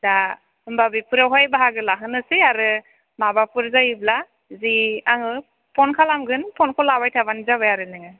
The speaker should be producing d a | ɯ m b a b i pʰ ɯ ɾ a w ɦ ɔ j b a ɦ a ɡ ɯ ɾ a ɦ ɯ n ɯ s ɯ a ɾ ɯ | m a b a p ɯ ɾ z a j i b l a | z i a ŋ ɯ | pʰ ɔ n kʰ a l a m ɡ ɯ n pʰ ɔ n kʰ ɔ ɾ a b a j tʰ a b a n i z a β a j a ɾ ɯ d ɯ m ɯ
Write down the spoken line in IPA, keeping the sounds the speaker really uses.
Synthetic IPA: d a | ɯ m b a b i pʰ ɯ ɾ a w ɦ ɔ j b a ɦ a ɡ ɯ l a ɦ ɯ n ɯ s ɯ a ɾ ɯ | m a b a p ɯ ɾ z a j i b l a | z i a ŋ ɯ | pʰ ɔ n kʰ a l a m ɡ ɯ n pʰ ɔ n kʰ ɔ l a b a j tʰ a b a n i z a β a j a ɾ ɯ n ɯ ŋ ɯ